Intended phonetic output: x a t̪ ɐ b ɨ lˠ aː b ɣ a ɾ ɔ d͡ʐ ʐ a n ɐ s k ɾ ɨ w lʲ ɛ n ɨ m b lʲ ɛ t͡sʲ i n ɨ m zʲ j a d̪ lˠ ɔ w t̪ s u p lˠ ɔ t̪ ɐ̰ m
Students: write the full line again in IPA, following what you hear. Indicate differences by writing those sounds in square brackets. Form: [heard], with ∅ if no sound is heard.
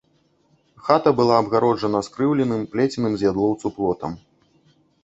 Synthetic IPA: x a t̪ ɐ b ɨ lˠ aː b ɣ a ɾ ɔ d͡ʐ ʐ [ɐ] n ɐ s k ɾ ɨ w lʲ ɛ n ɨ m [p] lʲ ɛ t͡sʲ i n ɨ m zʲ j a d̪ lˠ ɔ w t̪ s u p lˠ ɔ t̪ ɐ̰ m